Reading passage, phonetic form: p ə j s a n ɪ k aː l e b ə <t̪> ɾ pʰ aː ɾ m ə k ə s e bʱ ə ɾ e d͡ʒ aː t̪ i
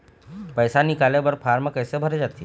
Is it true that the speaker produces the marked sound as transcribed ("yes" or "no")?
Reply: no